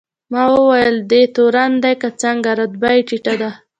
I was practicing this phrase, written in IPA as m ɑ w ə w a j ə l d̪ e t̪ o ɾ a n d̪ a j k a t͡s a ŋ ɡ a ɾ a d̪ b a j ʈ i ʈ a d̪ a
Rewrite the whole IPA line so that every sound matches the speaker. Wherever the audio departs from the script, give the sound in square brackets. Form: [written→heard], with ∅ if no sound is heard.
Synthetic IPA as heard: m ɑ w ə w a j ə l d̪ e t̪ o ɾ a n d̪ a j k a t͡s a ŋ ɡ a ɾ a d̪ b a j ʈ i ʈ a d̪ a

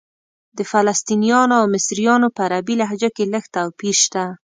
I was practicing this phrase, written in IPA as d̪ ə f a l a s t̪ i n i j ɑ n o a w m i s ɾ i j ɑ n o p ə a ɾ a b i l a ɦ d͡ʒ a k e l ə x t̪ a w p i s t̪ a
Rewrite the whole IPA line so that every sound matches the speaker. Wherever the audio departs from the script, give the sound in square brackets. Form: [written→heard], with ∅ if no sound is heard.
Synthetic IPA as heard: d̪ ə f a l a s t̪ i n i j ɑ n o a w m [i→ɪ] s ɾ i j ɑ n o p ə a ɾ a b i l a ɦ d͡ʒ a k e l ə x t̪ a w p i [s→ʃ] t̪ a

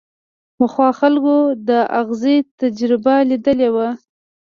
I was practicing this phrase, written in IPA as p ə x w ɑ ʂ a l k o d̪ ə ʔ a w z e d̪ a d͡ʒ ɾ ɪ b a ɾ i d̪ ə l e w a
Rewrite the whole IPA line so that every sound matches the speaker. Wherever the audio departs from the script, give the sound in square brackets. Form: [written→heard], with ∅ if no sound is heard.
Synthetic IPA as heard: p ə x w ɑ [ʂ→x] a l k o d̪ ə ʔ a [w→ɣ] z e [d̪→t̪] a d͡ʒ ɾ ɪ b a [ɾ→l] i d̪ ə l e w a

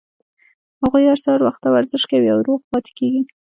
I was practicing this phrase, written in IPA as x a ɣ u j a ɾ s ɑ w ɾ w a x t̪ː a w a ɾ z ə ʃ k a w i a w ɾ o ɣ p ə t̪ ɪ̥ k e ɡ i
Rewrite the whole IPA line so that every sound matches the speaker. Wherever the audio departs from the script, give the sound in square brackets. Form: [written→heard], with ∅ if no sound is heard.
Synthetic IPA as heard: [x→h] a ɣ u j a ɾ s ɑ [w→∅] ɾ w a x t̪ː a w a ɾ z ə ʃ k a w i a w ɾ o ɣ p [ə→ɑ] t̪ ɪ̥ k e ɡ i

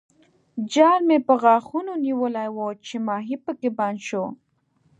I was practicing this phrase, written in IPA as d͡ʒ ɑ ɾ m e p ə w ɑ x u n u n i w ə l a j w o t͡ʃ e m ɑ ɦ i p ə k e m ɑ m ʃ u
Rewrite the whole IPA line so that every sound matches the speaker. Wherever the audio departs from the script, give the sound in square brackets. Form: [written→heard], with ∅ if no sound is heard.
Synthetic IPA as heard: d͡ʒ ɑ ɾ m e p ə [w→ɣ] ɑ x u n [u→o] n i w ə l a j w o t͡ʃ e m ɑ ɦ i p ə k e [m→b] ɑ [m→n] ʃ [u→o]

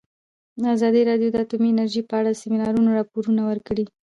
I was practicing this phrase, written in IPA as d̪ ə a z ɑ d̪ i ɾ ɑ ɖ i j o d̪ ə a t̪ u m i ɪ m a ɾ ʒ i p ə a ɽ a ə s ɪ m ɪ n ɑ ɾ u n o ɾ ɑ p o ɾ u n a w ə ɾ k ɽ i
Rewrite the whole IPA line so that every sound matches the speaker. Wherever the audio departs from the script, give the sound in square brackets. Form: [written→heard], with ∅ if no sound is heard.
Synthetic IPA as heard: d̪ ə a z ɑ d̪ i ɾ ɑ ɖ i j o d̪ ə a t̪ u m i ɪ [m→n] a ɾ ʒ i p ə a ɽ a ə s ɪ m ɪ n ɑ ɾ u n o ɾ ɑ p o ɾ u n a w ə ɾ k ɽ i

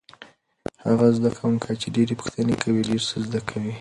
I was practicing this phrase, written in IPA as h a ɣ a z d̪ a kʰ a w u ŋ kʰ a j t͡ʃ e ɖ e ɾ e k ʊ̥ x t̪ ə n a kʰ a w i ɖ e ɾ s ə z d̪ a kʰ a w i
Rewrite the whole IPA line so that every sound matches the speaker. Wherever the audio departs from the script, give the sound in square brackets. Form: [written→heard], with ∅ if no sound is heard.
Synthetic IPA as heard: h a ɣ a z d̪ a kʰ a w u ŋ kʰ a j t͡ʃ e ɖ e ɾ e [k→p] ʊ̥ x t̪ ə n [a→e] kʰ a w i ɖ e ɾ s ə z d̪ a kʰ a w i

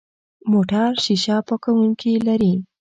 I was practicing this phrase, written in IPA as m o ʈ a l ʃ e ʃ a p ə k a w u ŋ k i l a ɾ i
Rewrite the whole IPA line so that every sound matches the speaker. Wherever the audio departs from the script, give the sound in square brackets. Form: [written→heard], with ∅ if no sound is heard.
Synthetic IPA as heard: m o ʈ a [l→ɾ] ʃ [e→i] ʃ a p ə k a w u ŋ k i l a ɾ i

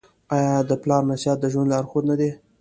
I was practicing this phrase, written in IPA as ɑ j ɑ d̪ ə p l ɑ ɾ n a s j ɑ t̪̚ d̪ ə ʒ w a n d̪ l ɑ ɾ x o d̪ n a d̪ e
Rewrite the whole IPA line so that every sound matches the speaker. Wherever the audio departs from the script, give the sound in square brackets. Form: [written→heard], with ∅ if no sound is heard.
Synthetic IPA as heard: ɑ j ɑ d̪ ə p l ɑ ɾ n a s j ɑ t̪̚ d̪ ə ʒ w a n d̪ l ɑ ɾ x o d̪ n a d̪ e

